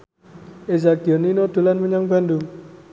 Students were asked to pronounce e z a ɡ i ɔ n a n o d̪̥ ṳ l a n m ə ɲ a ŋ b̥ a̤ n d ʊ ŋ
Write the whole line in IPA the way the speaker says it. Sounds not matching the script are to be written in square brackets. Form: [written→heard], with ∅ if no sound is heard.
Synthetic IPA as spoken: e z a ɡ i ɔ n [a→i] n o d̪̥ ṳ l a n m ə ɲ a ŋ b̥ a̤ n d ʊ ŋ